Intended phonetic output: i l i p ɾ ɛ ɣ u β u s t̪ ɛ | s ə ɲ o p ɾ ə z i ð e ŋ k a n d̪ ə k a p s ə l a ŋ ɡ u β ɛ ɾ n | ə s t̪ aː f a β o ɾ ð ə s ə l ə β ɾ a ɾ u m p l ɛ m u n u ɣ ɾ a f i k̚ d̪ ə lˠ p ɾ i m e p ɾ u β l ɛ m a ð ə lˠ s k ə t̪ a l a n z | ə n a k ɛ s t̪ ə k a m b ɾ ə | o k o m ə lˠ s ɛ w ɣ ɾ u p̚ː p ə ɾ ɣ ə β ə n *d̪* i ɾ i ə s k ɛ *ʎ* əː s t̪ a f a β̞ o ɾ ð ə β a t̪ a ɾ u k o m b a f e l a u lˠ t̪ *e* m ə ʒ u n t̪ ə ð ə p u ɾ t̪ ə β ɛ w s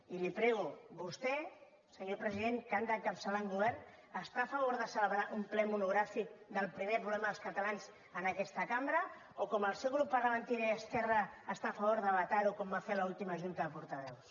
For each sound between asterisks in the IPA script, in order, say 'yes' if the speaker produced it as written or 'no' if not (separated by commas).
no, no, no